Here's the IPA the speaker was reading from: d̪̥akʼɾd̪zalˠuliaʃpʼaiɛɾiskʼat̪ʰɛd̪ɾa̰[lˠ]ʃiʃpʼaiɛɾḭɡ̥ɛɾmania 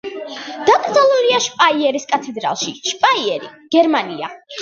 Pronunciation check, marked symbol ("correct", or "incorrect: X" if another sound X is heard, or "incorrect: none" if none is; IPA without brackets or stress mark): correct